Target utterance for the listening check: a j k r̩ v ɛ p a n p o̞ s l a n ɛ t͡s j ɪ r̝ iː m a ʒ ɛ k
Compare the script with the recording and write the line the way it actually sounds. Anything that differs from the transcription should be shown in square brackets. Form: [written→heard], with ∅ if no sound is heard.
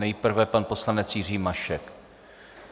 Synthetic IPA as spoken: [a→ɛ] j [k→p] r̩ v ɛ p a n p o̞ s l a n ɛ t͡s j ɪ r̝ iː m a [ʒ→ʃ] ɛ k